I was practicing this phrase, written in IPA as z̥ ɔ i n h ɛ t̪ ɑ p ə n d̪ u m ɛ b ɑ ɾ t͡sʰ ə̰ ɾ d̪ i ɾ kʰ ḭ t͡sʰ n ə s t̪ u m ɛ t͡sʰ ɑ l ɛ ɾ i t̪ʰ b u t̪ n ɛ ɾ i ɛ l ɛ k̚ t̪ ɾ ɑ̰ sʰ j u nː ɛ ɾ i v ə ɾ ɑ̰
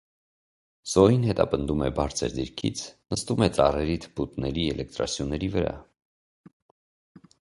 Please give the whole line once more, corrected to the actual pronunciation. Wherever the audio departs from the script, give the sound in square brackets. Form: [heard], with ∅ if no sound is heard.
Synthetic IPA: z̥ ɔ i n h ɛ t̪ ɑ p ə n d̪ u m ɛ b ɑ ɾ t͡sʰ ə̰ ɾ d̪ i ɾ kʰ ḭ t͡sʰ n ə s t̪ u m ɛ [t͡s] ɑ [r] ɛ ɾ i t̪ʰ b u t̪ n ɛ ɾ i ɛ l ɛ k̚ t̪ ɾ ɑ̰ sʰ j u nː ɛ ɾ i v ə ɾ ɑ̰